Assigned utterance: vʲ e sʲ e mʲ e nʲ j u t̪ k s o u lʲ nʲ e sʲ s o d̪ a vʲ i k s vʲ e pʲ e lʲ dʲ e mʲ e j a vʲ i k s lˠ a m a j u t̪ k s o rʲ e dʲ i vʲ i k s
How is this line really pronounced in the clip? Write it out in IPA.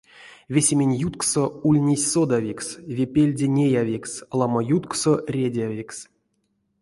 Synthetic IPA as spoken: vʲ e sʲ e mʲ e nʲ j u t̪ k s o u lʲ nʲ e sʲ s o d̪ a vʲ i k s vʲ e pʲ e lʲ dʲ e nʲ e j a vʲ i k s lˠ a m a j u t̪ k s o rʲ e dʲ a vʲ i k s